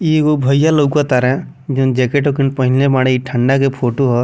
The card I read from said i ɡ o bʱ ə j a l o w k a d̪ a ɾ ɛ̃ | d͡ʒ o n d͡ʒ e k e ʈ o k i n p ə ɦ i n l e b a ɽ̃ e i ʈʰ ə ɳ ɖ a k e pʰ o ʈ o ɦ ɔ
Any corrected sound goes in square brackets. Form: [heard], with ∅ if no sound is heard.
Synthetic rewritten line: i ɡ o bʱ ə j a l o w k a [t̪] a ɾ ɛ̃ | d͡ʒ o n d͡ʒ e k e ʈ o k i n p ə ɦ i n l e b a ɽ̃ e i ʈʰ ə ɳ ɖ a k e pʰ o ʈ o ɦ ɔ